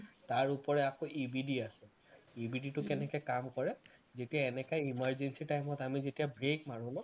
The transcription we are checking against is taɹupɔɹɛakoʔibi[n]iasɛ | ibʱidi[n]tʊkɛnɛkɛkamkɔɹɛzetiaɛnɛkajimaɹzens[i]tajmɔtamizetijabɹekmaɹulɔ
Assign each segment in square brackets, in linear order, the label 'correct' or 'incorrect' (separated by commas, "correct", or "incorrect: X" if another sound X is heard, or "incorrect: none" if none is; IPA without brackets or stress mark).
incorrect: d, incorrect: none, correct